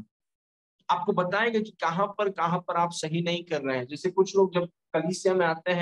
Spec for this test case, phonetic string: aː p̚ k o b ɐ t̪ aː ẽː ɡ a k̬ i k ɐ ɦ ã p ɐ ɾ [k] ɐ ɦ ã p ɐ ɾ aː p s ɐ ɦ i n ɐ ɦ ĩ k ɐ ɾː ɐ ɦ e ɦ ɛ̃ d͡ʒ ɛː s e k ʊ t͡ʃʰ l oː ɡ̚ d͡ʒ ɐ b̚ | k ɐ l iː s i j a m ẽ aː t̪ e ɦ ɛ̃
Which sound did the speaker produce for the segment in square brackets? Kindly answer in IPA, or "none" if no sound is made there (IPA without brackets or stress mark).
k